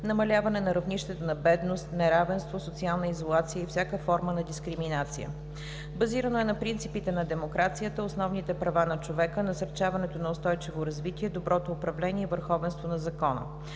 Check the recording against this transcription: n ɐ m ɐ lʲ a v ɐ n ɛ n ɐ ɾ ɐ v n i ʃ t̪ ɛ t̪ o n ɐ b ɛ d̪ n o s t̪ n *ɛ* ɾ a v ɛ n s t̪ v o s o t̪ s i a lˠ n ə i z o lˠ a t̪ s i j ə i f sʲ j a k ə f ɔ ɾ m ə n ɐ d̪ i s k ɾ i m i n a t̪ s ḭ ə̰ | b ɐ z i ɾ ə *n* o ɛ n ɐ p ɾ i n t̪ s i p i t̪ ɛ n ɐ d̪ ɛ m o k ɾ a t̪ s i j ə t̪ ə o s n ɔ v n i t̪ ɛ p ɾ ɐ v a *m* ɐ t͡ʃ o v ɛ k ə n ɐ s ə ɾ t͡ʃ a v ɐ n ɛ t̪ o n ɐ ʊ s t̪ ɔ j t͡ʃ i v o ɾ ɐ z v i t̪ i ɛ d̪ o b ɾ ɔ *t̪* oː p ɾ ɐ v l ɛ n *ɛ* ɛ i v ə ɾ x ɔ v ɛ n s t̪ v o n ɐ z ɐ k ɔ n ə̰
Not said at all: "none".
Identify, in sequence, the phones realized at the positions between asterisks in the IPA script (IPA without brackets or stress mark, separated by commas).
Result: ɛ, n, n, t̪, i